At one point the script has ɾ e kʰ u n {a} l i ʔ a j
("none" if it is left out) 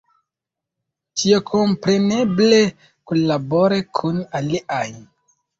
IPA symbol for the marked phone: a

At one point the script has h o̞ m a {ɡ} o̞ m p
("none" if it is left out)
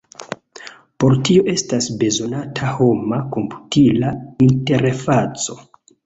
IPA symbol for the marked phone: k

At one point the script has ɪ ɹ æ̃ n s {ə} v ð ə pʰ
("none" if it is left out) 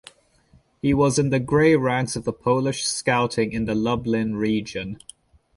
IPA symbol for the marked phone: ə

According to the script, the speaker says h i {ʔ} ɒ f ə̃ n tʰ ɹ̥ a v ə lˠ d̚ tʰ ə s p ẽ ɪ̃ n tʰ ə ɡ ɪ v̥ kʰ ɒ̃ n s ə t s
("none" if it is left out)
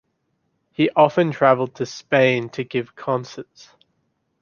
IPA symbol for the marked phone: ʔ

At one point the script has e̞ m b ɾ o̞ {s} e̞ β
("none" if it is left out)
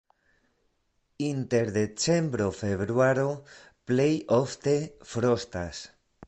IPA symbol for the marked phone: f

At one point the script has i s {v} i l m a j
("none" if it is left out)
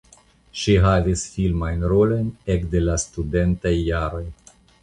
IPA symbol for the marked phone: f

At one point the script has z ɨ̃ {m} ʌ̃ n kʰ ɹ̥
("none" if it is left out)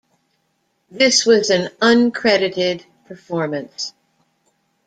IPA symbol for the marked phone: n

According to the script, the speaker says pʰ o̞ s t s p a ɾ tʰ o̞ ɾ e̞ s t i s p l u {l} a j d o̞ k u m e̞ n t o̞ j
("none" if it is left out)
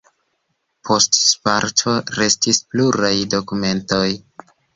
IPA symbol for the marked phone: ɾ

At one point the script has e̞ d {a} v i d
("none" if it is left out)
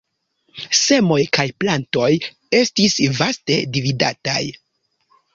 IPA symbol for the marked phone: i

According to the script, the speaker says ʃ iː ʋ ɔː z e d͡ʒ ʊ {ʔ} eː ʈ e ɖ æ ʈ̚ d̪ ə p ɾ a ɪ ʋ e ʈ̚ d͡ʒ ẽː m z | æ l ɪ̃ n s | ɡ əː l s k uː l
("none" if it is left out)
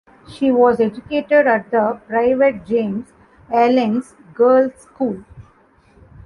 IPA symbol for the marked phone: k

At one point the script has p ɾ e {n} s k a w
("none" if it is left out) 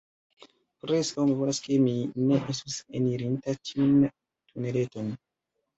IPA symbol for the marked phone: none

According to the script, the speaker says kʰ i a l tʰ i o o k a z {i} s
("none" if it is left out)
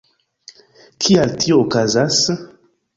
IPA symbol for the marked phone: a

